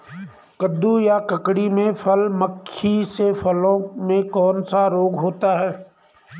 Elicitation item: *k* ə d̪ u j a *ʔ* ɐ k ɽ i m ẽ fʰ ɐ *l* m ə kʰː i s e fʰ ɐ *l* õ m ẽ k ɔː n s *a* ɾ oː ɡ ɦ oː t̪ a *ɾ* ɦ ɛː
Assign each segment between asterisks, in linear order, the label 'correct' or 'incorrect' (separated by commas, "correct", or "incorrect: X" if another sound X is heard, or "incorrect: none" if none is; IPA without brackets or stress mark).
correct, incorrect: k, correct, correct, correct, incorrect: none